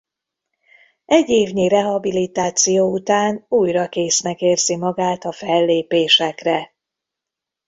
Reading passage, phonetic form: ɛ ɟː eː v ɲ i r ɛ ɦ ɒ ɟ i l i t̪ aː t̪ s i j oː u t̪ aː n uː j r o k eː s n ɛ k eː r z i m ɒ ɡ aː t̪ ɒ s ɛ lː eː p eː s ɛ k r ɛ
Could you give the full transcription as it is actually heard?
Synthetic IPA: ɛ ɟː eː v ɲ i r ɛ ɦ ɒ b i l i t̪ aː t̪ s i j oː u t̪ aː n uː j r ɒ k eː s n ɛ k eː r z i m ɒ ɡ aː t̪ ɒ f ɛ lː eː p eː ʃ ɛ k r ɛ